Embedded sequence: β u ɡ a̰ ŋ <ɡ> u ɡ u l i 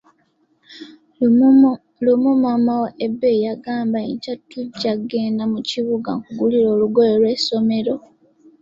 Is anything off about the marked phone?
yes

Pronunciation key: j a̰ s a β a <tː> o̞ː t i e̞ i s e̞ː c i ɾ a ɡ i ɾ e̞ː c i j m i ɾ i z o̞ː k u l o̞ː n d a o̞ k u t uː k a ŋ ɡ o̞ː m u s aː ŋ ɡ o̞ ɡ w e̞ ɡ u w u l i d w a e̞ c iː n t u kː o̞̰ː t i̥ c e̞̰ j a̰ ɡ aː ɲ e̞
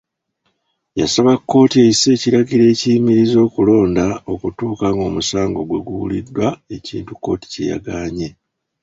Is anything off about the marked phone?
yes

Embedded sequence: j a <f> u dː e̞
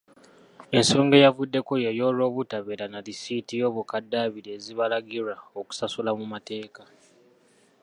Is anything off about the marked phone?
yes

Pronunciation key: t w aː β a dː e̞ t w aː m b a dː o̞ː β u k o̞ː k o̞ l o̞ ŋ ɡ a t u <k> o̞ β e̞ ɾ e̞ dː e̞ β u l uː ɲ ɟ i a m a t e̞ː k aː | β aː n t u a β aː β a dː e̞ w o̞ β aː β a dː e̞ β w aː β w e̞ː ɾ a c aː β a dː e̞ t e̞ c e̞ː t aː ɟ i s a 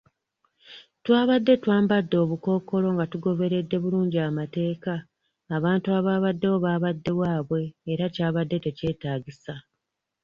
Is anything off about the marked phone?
yes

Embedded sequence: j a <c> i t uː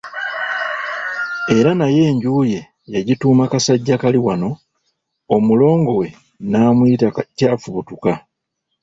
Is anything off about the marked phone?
yes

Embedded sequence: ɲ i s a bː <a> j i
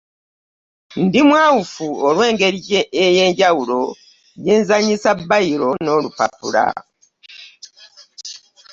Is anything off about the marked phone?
no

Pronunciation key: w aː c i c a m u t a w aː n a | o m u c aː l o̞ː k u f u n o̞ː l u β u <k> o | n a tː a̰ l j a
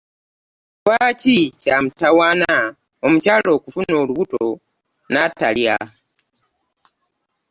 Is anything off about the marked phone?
yes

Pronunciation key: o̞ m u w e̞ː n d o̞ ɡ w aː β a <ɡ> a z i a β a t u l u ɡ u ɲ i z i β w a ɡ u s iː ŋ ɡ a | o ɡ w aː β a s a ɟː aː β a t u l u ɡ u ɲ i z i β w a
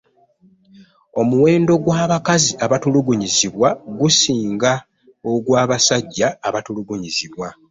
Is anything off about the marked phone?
yes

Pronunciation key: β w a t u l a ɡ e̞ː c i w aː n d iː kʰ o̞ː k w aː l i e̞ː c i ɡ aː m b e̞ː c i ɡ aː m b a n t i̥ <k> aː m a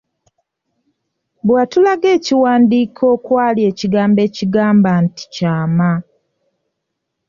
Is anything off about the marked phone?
yes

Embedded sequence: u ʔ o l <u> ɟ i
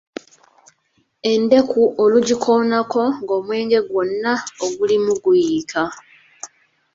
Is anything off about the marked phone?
no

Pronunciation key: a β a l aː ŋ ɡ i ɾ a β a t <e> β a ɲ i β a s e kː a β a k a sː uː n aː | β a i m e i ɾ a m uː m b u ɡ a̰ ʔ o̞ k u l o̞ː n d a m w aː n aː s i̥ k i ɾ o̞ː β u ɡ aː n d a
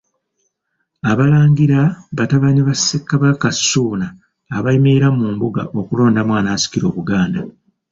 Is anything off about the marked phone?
yes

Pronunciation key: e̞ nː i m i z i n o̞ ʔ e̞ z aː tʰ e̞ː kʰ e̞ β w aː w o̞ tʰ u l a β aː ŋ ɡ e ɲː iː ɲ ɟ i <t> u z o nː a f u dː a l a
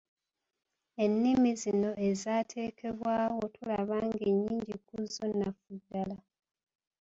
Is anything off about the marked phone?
yes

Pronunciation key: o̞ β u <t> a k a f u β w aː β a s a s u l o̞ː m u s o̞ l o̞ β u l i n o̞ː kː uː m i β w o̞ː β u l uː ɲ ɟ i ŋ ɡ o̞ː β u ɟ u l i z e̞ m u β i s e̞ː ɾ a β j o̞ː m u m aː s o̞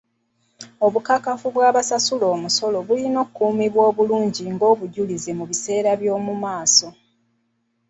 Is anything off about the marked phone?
yes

